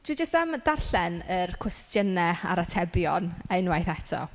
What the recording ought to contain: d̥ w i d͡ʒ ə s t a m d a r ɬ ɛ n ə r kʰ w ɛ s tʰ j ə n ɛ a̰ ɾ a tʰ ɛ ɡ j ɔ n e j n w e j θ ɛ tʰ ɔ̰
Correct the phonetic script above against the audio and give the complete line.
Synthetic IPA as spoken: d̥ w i d͡ʒ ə s t a m d a r ɬ ɛ n ə r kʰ w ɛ s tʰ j ə n ɛ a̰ ɾ a tʰ ɛ b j ɔ n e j n w a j θ ɛ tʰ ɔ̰